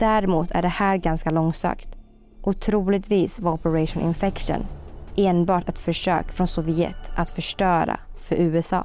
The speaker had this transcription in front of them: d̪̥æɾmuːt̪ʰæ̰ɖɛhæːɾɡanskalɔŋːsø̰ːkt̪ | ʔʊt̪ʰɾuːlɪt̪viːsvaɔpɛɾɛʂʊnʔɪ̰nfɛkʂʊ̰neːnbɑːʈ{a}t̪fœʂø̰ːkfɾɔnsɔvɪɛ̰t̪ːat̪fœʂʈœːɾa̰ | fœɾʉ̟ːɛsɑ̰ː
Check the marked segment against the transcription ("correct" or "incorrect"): incorrect